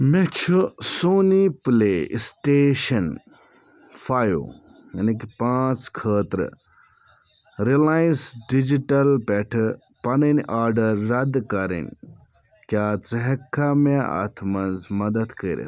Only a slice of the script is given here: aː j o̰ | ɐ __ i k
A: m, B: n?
B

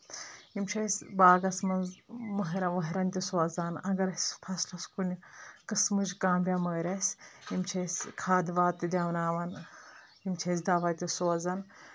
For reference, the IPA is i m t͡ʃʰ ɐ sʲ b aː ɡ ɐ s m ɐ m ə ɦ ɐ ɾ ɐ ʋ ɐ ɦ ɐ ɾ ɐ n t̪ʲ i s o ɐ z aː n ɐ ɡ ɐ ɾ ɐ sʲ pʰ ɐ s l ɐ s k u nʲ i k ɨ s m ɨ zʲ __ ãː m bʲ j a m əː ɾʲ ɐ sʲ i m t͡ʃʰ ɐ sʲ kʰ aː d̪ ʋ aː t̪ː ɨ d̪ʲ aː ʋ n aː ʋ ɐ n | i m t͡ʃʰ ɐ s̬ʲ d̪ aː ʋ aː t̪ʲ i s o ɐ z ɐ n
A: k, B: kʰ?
A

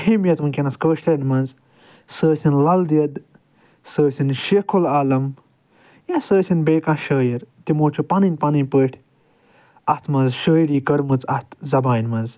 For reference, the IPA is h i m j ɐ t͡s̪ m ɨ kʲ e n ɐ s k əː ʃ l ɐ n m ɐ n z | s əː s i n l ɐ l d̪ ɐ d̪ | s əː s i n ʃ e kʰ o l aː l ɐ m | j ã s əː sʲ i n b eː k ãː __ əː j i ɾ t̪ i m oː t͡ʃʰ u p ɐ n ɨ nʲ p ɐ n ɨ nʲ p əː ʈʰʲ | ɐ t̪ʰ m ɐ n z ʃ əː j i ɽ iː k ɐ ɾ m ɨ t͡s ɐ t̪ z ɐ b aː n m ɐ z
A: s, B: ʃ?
B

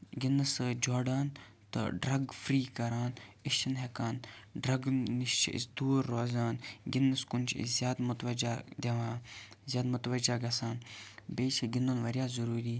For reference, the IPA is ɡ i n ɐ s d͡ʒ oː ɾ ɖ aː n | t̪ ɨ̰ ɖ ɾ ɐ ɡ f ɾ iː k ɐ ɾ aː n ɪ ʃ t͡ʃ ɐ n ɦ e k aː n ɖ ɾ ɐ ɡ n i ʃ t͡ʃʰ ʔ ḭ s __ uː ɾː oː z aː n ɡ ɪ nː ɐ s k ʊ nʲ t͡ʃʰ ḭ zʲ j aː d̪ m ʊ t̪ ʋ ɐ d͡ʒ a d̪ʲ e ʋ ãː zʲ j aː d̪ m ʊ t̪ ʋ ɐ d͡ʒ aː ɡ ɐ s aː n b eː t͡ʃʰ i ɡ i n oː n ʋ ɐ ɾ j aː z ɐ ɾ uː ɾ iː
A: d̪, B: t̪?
A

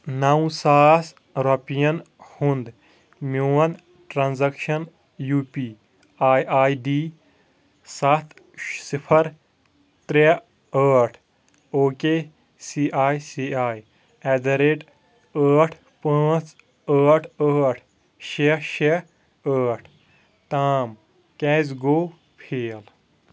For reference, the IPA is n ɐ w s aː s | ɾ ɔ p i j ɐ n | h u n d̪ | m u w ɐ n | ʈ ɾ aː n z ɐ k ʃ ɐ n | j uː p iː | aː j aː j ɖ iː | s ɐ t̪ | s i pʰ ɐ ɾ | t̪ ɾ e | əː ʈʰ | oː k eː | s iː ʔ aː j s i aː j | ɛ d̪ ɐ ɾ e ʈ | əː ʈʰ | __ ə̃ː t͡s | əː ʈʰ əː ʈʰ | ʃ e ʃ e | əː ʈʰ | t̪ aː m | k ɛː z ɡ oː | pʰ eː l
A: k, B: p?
B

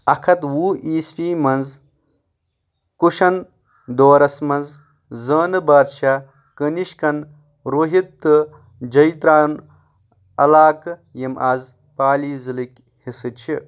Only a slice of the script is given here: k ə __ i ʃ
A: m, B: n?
B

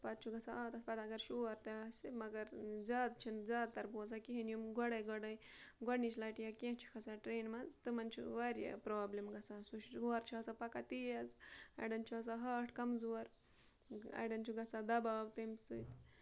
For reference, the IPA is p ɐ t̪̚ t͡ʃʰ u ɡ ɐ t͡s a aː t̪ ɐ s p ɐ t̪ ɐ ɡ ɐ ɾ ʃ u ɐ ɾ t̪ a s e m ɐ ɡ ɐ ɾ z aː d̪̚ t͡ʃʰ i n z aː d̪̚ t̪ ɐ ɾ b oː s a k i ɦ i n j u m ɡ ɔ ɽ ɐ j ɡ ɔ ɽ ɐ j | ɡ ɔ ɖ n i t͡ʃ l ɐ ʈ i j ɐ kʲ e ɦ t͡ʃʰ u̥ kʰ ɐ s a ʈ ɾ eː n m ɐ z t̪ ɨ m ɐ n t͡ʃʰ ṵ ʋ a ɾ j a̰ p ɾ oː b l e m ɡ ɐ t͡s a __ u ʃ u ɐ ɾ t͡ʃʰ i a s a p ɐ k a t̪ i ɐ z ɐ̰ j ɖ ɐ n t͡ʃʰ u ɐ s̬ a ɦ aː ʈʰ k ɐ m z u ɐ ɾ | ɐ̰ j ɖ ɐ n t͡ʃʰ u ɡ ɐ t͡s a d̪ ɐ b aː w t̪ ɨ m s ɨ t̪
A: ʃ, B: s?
B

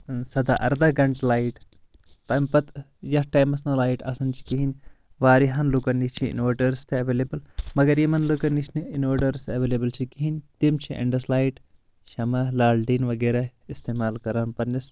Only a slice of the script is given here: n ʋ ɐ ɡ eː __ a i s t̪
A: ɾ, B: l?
A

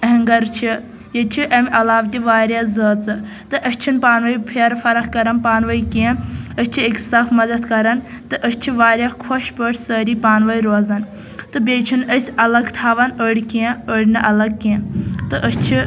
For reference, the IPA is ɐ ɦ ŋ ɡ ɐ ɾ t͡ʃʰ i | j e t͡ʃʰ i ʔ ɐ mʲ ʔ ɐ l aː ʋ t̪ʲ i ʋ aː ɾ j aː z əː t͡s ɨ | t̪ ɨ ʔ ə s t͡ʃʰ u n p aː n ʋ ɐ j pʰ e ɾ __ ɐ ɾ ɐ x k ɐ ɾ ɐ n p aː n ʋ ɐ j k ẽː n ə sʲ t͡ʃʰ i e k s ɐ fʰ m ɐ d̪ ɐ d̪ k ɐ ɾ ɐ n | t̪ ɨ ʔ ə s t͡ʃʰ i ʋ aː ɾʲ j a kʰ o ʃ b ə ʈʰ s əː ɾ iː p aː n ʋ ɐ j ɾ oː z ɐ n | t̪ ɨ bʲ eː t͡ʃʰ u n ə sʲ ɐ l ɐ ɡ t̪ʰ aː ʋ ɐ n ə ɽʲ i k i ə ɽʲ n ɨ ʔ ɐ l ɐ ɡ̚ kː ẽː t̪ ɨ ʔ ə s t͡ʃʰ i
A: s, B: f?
B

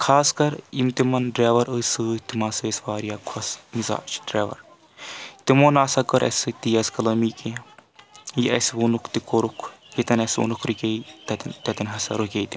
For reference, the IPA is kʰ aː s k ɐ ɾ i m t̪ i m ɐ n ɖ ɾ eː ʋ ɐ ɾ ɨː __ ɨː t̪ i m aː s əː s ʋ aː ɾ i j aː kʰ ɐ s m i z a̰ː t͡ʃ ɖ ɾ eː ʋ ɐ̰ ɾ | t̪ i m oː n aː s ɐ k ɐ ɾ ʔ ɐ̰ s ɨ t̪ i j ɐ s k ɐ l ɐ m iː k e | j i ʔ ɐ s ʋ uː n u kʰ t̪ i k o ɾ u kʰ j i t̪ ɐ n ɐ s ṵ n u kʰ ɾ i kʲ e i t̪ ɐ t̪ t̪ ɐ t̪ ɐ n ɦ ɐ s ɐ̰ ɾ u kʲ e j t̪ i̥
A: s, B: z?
A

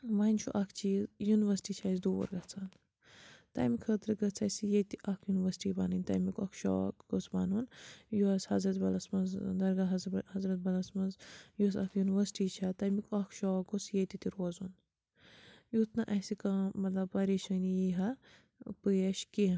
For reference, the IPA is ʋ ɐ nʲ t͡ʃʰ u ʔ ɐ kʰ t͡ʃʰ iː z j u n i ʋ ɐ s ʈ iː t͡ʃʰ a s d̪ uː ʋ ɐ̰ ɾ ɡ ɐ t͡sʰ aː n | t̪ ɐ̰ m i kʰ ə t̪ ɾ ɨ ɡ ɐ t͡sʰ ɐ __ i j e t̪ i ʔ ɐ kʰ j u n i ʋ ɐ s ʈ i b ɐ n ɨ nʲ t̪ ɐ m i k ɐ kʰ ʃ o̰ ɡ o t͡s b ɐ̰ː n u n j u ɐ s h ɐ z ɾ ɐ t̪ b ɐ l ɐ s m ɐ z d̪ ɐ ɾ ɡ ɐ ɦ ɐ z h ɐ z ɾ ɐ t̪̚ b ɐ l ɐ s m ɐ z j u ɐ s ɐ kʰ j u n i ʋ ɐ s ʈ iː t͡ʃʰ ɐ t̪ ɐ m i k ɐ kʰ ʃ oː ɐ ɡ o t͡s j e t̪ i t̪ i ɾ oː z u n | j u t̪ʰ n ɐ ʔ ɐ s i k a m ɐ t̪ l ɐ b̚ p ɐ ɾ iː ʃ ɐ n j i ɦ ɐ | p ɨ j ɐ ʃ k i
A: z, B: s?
B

